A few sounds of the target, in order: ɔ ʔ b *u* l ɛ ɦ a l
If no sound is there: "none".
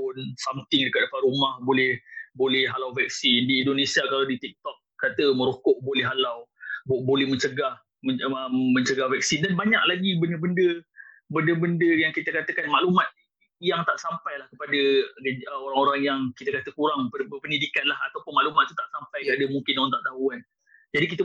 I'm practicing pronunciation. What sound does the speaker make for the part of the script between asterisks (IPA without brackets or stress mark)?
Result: o